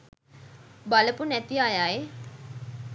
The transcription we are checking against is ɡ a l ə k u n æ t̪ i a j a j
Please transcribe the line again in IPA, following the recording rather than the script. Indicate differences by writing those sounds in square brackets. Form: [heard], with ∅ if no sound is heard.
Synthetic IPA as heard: [b] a l ə [p] u n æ t̪ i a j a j